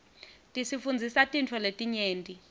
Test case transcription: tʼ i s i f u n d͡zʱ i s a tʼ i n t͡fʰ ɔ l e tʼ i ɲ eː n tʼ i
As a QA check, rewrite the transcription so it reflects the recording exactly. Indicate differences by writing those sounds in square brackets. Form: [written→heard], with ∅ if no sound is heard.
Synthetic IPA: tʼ i s i f u n d͡zʱ i s a tʼ i n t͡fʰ ɔ l e tʼ i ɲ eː n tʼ i